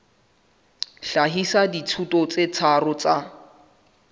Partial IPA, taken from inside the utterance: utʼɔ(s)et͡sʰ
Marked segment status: incorrect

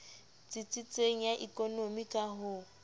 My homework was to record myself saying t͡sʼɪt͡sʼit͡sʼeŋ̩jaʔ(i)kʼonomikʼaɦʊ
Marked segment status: correct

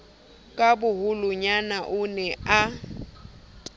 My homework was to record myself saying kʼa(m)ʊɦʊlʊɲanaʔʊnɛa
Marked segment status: incorrect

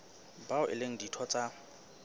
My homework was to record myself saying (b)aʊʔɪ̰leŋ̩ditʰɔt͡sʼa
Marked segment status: correct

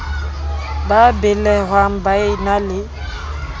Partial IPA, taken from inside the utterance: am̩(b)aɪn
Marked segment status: correct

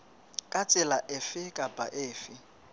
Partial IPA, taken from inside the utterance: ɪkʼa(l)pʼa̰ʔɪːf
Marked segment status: incorrect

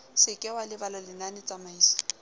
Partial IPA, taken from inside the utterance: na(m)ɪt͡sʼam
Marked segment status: incorrect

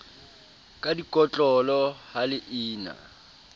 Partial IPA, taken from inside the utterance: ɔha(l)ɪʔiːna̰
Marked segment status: correct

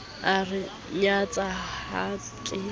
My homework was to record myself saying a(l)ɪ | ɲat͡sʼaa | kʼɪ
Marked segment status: incorrect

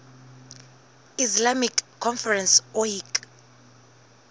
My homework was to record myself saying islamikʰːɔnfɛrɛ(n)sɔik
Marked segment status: correct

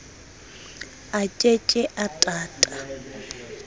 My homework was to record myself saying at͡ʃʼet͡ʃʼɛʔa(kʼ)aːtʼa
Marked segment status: incorrect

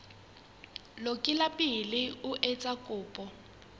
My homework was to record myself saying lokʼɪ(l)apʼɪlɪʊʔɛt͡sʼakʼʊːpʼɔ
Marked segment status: correct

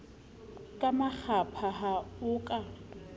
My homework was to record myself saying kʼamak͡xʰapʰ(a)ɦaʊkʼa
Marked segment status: correct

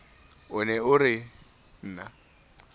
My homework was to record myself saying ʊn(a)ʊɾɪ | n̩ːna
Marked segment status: incorrect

